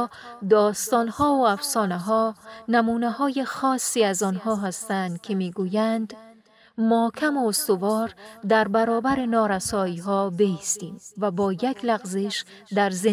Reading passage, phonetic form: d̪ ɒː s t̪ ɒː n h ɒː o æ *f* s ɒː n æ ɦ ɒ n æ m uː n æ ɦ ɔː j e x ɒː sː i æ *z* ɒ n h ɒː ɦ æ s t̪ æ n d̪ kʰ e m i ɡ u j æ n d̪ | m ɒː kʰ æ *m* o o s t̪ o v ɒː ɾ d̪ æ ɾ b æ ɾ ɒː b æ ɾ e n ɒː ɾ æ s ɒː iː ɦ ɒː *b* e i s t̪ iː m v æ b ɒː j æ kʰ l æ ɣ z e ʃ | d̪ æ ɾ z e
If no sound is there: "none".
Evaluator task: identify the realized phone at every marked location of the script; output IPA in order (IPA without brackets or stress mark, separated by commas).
f, z, m, b